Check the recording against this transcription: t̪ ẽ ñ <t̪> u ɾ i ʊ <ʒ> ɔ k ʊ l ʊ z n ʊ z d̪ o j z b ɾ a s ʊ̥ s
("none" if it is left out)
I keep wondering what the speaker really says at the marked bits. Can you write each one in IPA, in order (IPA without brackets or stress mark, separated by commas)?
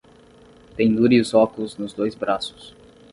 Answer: d̪, z